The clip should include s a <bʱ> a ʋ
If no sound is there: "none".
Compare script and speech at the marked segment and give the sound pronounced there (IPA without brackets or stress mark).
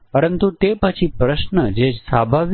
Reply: bʱ